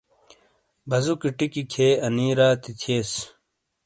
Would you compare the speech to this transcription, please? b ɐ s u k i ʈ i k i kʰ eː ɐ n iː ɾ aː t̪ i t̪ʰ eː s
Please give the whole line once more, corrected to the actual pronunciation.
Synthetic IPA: b ɐ z u k i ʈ i k i kʰ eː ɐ n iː ɾ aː t̪ i t̪ʰ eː s